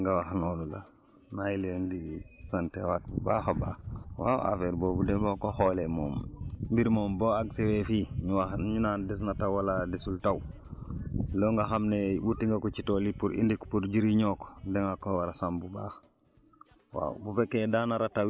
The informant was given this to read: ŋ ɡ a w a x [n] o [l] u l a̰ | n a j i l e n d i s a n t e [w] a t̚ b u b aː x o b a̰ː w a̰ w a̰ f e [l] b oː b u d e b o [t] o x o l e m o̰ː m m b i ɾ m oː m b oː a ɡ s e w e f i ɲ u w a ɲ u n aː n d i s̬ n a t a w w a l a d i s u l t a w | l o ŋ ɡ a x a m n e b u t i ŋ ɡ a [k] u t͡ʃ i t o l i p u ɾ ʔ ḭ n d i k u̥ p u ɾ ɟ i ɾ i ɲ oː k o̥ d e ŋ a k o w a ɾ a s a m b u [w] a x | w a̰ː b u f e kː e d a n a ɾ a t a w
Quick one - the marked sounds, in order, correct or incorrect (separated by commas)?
correct, correct, correct, incorrect, incorrect, correct, incorrect